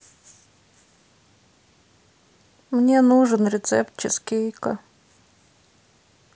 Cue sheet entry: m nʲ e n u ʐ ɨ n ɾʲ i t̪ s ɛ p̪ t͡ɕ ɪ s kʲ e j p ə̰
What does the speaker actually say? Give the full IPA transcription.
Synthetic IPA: m nʲ e n u ʐ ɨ n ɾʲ ɪ t̪ s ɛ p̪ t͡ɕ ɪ s kʲ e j k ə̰